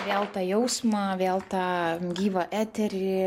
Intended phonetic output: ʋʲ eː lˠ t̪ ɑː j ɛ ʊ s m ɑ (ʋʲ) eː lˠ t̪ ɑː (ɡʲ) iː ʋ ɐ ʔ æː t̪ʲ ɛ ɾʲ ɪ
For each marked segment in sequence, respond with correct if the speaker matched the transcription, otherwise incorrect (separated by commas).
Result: correct, correct